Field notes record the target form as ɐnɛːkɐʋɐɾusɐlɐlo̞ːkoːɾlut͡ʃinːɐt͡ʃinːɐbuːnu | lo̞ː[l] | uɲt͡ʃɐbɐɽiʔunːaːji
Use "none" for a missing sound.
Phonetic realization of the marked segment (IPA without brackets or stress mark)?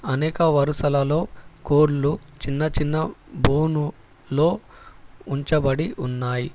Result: none